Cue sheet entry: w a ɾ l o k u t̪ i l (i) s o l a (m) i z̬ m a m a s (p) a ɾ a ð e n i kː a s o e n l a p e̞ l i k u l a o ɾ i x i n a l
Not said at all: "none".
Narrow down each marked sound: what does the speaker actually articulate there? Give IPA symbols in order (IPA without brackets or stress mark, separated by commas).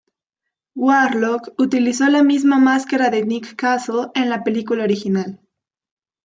i, m, k